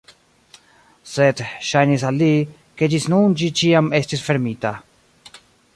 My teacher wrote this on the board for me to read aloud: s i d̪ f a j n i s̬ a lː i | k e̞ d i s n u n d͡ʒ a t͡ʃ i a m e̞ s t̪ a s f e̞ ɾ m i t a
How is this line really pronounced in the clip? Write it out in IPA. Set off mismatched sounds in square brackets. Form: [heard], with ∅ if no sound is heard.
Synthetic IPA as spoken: s [e] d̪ [ʃ] a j n i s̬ a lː i | k e̞ [d͡ʒ] i s n u n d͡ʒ [i] t͡ʃ i a m e̞ s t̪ [i] s f e̞ ɾ m i t a